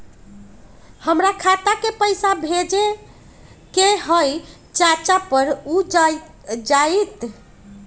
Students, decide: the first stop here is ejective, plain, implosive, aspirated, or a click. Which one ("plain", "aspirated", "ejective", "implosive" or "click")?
aspirated